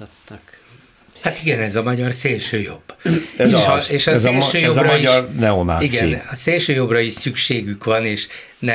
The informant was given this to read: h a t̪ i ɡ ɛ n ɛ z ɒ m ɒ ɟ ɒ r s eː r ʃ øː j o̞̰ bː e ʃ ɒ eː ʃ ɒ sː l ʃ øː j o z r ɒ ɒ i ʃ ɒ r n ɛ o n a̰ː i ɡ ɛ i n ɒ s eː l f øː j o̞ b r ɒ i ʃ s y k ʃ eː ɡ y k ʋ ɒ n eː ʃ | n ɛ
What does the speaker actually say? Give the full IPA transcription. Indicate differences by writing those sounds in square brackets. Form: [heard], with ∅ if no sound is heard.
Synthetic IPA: h a t̪ i ɡ ɛ n ɛ z ɒ m ɒ ɟ ɒ r s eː [l] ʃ øː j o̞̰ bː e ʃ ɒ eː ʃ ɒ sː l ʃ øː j o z r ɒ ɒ i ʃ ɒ r n ɛ o n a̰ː i ɡ ɛ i n ɒ s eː l [ʃ] øː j o̞ b r ɒ i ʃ s y k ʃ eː ɡ y k ʋ ɒ n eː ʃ | n ɛ